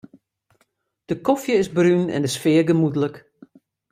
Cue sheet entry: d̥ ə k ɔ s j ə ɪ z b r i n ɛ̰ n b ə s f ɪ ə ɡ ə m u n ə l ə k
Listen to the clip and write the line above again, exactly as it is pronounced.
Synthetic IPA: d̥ ə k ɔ f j ə ɪ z b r y n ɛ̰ n d ə s f ɪ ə ɡ ə m u d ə l ə k